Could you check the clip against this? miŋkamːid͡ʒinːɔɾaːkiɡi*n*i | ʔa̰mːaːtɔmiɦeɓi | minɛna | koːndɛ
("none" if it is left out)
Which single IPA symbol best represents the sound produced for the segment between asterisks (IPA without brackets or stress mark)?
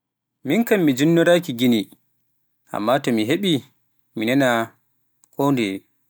n